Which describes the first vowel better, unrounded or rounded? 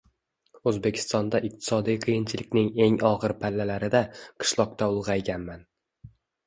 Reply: rounded